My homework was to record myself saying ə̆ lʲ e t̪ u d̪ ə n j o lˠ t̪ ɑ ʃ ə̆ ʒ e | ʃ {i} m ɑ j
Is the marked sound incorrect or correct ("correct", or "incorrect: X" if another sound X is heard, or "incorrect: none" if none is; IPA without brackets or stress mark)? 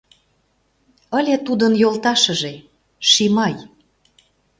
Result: correct